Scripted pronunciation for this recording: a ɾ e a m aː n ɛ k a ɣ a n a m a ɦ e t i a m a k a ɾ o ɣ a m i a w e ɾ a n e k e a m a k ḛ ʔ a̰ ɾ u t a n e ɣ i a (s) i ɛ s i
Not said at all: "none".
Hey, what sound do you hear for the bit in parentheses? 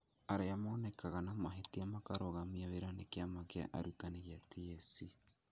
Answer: t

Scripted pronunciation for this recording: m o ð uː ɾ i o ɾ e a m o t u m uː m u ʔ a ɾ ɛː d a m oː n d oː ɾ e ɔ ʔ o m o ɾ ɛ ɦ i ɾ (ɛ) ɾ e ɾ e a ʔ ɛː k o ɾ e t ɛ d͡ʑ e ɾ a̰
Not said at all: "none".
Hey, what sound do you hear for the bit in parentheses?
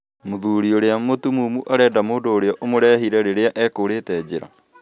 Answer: ɛ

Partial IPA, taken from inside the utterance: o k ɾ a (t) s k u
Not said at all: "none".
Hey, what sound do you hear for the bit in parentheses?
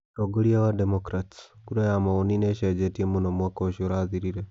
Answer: t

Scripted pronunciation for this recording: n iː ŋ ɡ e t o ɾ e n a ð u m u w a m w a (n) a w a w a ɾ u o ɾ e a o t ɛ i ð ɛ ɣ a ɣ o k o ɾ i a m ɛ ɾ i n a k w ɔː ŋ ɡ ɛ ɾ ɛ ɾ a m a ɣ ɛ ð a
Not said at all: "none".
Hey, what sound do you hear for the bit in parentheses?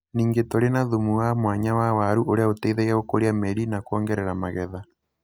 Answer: ɲ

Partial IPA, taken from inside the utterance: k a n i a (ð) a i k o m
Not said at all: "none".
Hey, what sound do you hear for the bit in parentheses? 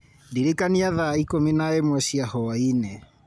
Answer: ð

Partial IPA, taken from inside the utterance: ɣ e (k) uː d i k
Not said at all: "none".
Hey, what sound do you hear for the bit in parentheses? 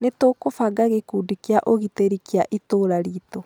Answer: k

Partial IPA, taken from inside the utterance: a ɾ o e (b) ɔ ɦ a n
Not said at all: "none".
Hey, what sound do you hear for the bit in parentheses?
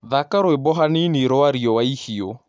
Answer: b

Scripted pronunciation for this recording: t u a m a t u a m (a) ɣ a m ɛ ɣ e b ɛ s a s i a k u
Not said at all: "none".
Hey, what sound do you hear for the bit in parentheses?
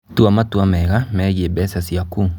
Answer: ɛ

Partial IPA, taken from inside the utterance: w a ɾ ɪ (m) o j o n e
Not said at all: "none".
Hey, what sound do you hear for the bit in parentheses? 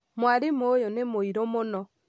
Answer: m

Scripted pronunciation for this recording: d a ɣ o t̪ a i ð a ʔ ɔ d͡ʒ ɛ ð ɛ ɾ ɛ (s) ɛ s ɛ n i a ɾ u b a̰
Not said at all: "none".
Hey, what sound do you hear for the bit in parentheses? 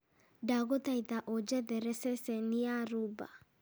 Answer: s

